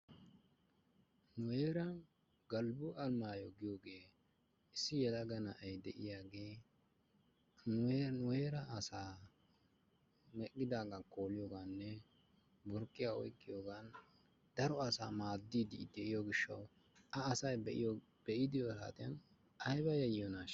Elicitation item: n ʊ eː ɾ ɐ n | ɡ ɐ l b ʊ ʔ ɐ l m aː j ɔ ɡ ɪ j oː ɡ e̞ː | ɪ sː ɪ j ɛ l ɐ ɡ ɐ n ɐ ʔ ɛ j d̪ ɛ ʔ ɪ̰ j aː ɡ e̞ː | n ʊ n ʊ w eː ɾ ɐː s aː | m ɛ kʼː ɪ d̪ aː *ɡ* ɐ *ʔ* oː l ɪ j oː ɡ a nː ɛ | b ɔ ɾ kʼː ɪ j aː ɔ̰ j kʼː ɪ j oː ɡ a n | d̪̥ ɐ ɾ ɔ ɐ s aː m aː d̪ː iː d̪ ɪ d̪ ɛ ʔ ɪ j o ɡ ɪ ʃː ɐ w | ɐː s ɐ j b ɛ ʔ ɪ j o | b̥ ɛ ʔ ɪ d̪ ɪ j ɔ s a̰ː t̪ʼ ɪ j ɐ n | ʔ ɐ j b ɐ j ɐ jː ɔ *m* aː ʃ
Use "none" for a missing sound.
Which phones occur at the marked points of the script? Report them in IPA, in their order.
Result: ɡ, k, n

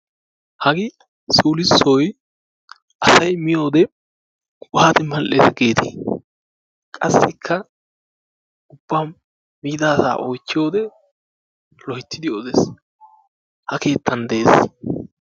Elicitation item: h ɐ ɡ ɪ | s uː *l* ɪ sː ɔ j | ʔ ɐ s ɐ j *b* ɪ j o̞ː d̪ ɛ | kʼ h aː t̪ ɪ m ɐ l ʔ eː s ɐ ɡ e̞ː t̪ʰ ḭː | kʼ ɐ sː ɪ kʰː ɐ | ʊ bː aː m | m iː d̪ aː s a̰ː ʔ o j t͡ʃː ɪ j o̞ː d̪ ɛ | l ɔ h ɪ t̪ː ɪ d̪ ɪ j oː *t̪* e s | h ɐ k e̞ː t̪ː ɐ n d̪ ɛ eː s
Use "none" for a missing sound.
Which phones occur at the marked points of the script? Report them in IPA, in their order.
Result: l, m, d̪

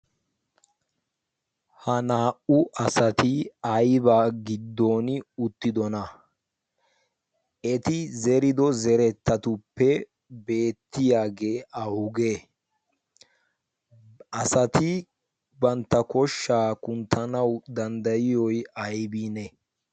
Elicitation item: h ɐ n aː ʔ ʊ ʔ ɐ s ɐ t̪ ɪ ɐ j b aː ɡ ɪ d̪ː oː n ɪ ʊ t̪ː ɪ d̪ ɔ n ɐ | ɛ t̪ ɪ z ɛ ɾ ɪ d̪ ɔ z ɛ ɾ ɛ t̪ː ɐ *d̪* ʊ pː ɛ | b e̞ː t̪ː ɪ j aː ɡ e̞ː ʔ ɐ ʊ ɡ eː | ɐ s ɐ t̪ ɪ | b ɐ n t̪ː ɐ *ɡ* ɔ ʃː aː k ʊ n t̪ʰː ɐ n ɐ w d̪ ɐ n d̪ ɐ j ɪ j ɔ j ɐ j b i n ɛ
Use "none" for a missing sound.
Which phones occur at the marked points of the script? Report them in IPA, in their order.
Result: t̪, k

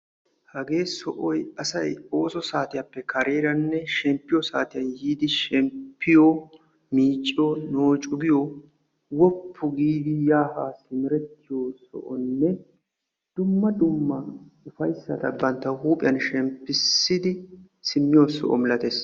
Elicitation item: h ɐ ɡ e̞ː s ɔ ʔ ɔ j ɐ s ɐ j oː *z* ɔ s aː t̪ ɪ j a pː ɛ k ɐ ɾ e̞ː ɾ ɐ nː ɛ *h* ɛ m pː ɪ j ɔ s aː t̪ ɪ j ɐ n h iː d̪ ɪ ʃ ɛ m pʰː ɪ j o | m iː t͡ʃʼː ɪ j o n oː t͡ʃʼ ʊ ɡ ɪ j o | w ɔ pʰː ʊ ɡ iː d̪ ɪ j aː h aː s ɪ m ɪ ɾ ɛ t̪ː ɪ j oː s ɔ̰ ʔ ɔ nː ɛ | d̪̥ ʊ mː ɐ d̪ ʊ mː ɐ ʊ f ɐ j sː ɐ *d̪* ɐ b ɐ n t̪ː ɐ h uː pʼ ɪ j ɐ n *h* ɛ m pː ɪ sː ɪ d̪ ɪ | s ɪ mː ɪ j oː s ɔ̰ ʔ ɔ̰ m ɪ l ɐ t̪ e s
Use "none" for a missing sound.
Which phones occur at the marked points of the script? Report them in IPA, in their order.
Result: s, ʃ, t̪, ʃ

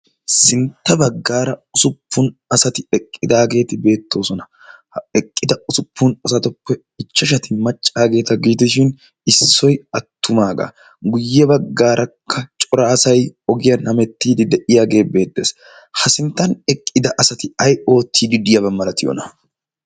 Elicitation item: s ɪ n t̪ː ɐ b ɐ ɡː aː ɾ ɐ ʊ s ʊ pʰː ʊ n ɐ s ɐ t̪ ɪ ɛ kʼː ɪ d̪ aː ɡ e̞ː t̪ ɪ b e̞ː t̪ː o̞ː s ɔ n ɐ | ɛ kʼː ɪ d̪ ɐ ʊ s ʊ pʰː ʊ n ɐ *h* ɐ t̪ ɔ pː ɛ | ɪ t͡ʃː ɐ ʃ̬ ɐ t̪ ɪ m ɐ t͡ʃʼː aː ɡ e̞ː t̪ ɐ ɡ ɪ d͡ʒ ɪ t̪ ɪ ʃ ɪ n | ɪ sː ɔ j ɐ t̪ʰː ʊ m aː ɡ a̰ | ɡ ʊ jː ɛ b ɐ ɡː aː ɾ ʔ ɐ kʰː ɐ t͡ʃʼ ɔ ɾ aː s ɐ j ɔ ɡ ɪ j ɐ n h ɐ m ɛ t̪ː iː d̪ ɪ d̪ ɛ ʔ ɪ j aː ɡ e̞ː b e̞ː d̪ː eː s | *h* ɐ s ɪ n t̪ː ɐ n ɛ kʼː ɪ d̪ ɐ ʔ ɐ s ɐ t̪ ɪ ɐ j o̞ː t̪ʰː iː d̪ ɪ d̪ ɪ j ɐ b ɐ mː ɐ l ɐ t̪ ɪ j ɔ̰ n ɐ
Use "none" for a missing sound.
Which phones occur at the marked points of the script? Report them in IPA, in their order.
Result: s, h

